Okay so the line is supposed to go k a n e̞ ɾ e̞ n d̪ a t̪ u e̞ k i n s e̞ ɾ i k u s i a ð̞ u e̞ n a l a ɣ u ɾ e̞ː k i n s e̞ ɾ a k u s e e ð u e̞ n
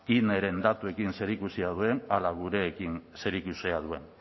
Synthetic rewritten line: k i n e̞ ɾ e̞ n d̪ a t̪ u e̞ k i n s e̞ ɾ i k u s i a ð̞ u e̞ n a l a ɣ u ɾ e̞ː k i n s e̞ ɾ i k u s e a ð u e̞ n